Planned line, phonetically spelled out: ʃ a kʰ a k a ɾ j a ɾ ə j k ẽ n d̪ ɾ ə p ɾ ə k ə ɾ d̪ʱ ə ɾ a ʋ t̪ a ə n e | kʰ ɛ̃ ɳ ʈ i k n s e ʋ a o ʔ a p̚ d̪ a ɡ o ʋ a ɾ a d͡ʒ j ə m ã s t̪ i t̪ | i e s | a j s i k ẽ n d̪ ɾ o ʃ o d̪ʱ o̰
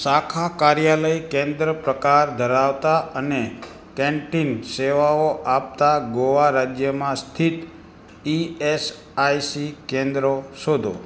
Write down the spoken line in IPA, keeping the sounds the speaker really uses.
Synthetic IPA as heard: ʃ a kʰ a k a ɾ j a l ə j k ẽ n d̪ ɾ ə p ɾ ə k a ɾ d̪ʱ ə ɾ a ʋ t̪ a ə n e | k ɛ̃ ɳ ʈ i n s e ʋ a o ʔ a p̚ t̪ a ɡ o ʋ a ɾ a d͡ʒ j ə m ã s t̪ʰ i t̪ | i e s | a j s i k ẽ n d̪ ɾ o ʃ o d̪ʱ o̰